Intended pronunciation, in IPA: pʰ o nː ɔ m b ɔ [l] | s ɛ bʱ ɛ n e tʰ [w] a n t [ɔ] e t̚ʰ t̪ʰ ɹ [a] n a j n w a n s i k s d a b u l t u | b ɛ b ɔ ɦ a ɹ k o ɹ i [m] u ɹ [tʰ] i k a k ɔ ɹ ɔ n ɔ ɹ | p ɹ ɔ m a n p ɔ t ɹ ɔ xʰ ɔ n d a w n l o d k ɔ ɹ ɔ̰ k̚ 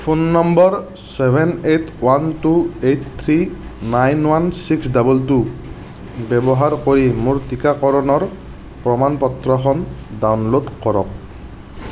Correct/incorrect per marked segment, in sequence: incorrect, correct, incorrect, incorrect, correct, incorrect

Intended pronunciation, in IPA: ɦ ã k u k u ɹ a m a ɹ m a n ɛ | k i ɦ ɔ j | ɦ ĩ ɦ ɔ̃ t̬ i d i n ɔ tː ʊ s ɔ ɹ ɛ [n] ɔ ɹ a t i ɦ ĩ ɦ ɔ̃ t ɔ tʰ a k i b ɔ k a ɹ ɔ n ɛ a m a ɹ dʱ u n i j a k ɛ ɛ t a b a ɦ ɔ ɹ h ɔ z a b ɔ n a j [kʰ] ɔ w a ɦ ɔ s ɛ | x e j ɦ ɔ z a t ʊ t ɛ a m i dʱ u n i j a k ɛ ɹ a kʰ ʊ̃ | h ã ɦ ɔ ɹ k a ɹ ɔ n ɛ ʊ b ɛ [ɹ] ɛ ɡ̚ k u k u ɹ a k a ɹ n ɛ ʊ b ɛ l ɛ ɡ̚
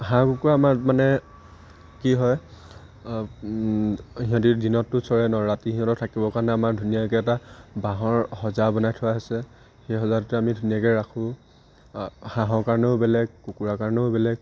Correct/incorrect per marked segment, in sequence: correct, incorrect, incorrect

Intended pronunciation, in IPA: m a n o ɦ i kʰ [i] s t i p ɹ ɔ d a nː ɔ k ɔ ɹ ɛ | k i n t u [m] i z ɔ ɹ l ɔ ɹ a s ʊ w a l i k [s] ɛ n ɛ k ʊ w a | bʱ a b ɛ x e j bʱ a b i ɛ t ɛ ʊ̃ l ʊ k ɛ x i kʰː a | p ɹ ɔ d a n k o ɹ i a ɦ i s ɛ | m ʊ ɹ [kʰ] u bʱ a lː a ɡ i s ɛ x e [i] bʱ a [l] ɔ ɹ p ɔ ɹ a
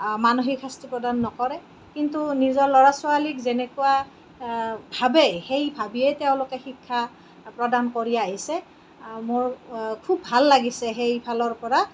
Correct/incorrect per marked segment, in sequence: incorrect, incorrect, incorrect, correct, incorrect, correct

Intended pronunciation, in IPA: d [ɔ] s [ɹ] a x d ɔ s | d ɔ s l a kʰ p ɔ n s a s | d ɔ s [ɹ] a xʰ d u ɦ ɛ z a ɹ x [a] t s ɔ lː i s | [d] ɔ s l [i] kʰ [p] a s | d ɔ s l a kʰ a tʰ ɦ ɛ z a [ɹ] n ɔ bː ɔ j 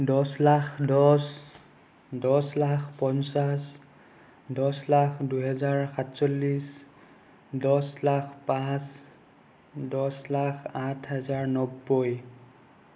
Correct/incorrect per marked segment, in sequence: correct, incorrect, incorrect, correct, correct, incorrect, correct, correct

